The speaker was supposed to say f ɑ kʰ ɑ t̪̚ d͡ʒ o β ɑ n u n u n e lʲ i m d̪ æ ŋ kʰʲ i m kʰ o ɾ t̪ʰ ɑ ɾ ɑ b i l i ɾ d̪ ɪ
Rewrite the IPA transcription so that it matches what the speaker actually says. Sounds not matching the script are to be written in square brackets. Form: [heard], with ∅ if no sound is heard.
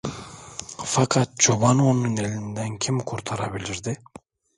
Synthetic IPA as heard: f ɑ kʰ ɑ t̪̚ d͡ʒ o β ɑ n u n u n e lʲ i [n] d̪ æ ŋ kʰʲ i m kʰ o ɾ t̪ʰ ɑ ɾ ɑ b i l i ɾ d̪ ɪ